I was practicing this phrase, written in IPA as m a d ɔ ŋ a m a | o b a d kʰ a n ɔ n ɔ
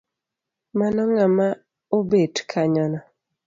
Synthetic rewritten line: m a n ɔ ŋ a m a | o b e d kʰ a ɲ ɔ n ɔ